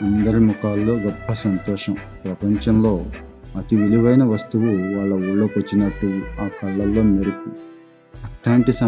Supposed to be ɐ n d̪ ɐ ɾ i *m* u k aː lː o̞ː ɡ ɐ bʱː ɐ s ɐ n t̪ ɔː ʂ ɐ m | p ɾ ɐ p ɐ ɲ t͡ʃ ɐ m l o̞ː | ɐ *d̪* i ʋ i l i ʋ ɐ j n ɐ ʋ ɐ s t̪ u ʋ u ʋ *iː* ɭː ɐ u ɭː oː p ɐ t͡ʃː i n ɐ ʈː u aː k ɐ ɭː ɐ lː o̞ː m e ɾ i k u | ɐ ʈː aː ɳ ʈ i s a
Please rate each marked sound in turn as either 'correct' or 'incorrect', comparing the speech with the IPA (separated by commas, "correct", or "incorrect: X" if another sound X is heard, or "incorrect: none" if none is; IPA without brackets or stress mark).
correct, incorrect: t̪, incorrect: aː